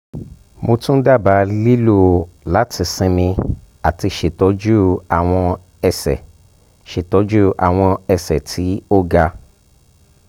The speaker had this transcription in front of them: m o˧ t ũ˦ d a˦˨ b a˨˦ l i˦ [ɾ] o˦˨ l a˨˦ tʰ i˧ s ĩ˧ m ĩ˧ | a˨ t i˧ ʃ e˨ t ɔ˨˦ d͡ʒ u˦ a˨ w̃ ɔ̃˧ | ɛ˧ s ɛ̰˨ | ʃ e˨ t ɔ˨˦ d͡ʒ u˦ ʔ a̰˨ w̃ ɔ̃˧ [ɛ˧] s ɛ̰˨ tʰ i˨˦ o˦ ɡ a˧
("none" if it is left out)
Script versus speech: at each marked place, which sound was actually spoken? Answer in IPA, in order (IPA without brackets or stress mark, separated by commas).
l, ɛ˧